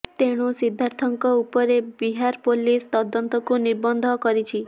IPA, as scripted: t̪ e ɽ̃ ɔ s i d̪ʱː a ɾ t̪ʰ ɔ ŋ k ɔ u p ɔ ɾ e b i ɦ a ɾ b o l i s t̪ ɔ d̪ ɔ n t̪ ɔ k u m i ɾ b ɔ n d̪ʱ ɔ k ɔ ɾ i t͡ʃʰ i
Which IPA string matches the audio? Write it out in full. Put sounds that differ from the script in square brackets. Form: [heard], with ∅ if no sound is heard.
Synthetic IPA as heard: t̪ e ɽ̃ [u] s i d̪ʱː a ɾ t̪ʰ ɔ ŋ k ɔ u p ɔ ɾ e b i ɦ a ɾ [p] o l i s t̪ ɔ d̪ ɔ n t̪ ɔ k u [n] i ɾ b ɔ n d̪ʱ ɔ k ɔ ɾ i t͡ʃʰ i